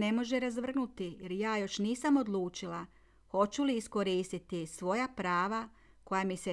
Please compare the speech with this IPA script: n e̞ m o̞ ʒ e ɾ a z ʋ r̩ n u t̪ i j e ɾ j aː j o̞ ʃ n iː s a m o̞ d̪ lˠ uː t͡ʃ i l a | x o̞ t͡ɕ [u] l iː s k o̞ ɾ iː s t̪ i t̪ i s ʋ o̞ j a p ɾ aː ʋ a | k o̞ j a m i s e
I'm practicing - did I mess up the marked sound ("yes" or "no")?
no